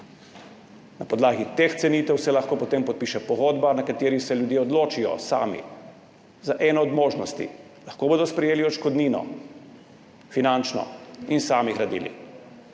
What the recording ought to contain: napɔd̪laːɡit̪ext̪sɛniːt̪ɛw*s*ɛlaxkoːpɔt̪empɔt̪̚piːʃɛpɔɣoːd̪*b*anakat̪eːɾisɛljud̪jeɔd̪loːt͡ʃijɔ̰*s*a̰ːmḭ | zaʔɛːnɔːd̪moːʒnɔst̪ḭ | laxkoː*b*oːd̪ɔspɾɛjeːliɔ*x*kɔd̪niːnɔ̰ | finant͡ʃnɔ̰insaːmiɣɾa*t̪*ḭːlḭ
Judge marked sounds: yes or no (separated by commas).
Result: yes, yes, yes, yes, no, no